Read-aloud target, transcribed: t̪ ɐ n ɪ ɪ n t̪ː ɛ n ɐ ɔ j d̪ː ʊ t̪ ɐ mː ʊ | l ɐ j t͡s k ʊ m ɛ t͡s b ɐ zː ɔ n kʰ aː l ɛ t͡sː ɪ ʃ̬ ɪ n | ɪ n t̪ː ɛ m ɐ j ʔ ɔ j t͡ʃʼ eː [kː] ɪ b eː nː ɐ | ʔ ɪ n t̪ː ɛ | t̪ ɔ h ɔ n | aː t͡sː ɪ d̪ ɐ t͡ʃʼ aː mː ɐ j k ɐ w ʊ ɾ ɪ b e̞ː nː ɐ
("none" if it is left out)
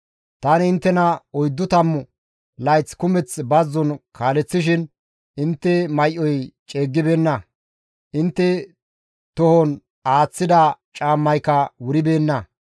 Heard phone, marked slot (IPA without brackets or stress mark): ɡː